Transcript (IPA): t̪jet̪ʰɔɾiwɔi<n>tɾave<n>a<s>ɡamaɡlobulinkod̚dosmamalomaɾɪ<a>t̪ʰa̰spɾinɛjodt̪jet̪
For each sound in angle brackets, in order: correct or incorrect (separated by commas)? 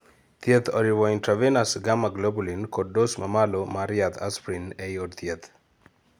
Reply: correct, correct, correct, correct